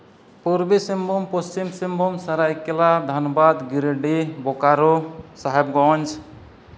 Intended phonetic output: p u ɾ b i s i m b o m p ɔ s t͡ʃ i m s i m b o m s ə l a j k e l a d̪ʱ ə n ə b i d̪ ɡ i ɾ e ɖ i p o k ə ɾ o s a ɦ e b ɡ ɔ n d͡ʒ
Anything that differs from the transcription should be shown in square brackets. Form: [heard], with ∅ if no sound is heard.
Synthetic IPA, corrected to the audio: p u ɾ b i s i m b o m p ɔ s t͡ʃ i m s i m b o m s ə [ɾ] a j k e l a d̪ʱ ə n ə b [a] d̪ ɡ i ɾ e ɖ i [b] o k [a] ɾ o s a ɦ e b ɡ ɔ n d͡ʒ